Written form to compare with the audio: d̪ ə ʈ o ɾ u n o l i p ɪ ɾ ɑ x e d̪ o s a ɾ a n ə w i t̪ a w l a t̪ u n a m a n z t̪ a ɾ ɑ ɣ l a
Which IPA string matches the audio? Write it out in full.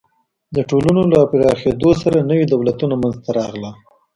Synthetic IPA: d̪ ə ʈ o l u n o l a p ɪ ɾ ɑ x e d̪ o s a ɾ a n ə w i d̪ a w l a t̪ u n a m a n z t̪ a ɾ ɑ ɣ l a